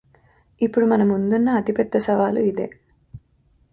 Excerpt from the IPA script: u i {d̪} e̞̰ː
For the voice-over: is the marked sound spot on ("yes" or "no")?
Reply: yes